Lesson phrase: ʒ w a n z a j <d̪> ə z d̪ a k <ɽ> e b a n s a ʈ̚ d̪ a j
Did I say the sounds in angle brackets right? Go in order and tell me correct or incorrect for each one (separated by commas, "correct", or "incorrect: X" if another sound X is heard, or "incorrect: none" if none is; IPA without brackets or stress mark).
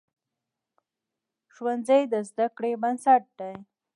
correct, correct